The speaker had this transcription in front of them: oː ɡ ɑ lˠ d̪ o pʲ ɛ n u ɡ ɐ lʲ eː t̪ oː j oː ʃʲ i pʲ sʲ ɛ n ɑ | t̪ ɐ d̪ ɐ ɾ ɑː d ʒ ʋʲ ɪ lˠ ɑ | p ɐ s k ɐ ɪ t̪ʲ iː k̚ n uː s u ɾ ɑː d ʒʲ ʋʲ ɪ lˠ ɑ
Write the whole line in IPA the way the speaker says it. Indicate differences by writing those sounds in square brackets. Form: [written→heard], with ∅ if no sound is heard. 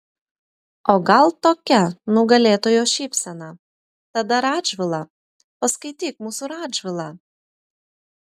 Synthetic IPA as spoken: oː ɡ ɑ lˠ [d̪→t̪] o [pʲ→kʲ] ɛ n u ɡ ɐ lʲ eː t̪ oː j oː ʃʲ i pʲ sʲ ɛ n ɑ | t̪ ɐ d̪ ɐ ɾ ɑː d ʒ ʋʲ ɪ lˠ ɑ | p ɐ s k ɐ ɪ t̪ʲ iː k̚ [n→m] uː s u ɾ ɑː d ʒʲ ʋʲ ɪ lˠ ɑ